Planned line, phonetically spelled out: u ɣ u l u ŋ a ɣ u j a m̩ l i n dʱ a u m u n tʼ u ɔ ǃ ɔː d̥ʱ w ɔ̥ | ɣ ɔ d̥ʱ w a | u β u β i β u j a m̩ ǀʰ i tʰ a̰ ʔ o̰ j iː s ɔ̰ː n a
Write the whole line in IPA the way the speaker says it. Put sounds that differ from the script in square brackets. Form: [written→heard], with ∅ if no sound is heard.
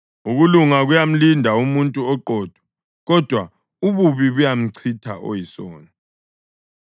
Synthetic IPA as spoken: u ɣ u l u ŋ a ɣ u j a m̩ l i n dʱ a u m u n tʼ u ɔ ǃ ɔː d̥ʱ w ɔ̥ | ɣ ɔ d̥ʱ w a | u β u β i β u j a m̩ ǀʰ i tʰ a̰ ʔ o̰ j [iː→i] s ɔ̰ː n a

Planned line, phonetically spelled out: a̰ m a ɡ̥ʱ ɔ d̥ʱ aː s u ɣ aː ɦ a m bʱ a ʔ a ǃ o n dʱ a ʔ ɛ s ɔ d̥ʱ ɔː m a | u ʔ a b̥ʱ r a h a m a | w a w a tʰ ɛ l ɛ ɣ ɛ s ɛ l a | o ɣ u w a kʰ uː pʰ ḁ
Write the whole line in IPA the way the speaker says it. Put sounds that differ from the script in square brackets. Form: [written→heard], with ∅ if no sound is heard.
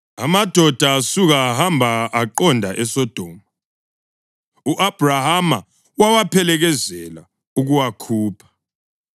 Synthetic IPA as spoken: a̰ m a [ɡ̥ʱ→d̥ʱ] ɔ d̥ʱ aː s u ɣ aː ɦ a m bʱ a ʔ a ǃ [o→ɔ] n dʱ a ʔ ɛ s ɔ d̥ʱ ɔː m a | u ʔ a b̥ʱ r a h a m a | w a w a [tʰ→pʰ] ɛ l ɛ ɣ ɛ [s→z] ɛ l a | [o→u] ɣ u w a kʰ uː pʰ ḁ

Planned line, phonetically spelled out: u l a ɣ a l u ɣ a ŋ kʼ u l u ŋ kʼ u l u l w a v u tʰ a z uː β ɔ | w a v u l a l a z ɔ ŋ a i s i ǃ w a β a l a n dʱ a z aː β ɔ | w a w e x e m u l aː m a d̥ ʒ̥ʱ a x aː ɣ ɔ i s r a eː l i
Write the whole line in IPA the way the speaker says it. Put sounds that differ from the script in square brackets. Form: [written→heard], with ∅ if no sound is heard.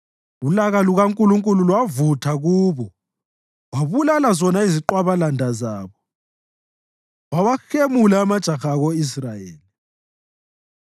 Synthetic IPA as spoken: u l a ɣ a l u ɣ a ŋ kʼ u l u ŋ kʼ u l u l w a v u tʰ a [z→ɣ] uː β ɔ | w a [v→β] u l a l a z ɔ [ŋ→n] a i [s→z] i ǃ w a β a l a n dʱ a z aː β ɔ | w a w [e→a] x e m u l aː m a d̥ ʒ̥ʱ a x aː ɣ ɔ i s r a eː l i

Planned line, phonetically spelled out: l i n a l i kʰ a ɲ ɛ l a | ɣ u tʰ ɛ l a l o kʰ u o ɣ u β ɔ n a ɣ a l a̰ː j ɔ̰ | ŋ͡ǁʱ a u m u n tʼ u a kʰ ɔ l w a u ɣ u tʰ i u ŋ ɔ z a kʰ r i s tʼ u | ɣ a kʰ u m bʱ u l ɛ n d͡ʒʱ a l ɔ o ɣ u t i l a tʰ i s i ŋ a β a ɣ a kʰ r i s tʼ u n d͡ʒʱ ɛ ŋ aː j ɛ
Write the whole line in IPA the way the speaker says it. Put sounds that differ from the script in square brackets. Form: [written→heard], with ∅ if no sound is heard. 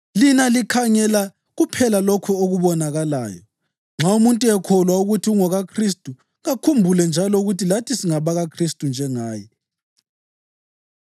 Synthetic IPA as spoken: l i n a l i kʰ a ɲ ɛ l a | ɣ u [tʰ→pʰ] ɛ l a l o kʰ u o ɣ u β ɔ n a ɣ a l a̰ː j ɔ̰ | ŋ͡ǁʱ a u m u n tʼ u [a→ɛ] kʰ ɔ l w a u ɣ u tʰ i u ŋ ɔ [z→ɣ] a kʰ r i s tʼ u | ɣ a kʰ u m bʱ u l ɛ n d͡ʒʱ a l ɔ [o→u] ɣ u t i l a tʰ i s i ŋ a β a ɣ a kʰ r i s tʼ u n d͡ʒʱ ɛ ŋ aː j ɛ

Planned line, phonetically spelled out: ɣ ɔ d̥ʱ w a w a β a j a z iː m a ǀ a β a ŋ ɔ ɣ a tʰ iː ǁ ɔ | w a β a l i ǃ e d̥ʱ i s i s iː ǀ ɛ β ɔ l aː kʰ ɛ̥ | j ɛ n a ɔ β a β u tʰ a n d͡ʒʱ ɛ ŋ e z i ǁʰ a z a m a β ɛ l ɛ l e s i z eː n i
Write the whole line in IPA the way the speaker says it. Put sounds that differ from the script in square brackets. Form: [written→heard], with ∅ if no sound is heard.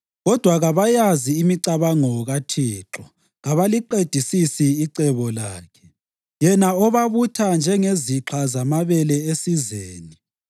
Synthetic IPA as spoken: ɣ ɔ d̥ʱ w a [w→ɣ] a β a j a z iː m [a→i] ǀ a β a ŋ ɔ ɣ a tʰ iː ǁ ɔ | [w→ɣ] a β a l i ǃ e d̥ʱ i s i s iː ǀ ɛ β ɔ l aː kʰ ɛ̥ | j ɛ n a ɔ β a β u tʰ a n d͡ʒʱ ɛ ŋ e z i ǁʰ a z a m a β ɛ l ɛ [l→∅] e s i z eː n i

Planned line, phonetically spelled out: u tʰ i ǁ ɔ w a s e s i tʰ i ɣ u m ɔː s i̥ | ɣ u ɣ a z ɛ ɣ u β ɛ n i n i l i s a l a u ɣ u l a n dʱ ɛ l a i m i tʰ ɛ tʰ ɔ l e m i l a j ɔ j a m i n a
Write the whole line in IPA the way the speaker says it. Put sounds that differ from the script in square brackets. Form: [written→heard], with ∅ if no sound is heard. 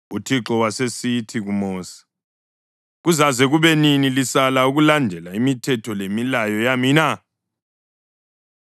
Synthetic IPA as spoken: u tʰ i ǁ ɔ w a s e s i tʰ i ɣ u m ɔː s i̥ | ɣ u [ɣ→z] a z ɛ ɣ u β ɛ n i n i l i s a l a u ɣ u l a n dʱ ɛ l a i m i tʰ ɛ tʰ ɔ l e m i l a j ɔ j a m i n a

